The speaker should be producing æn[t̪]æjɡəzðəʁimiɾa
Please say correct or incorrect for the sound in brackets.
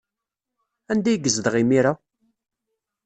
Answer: incorrect